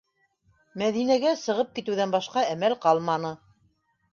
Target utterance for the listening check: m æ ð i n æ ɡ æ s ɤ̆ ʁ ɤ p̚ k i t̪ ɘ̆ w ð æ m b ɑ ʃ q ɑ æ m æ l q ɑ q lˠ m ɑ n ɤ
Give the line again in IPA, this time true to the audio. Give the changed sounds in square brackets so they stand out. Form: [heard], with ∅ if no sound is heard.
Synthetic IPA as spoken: m æ ð i n æ ɡ æ s ɤ̆ ʁ ɤ p̚ k i t̪ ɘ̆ w ð æ [n] b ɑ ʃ q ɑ æ m æ l q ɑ [∅] lˠ m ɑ n ɤ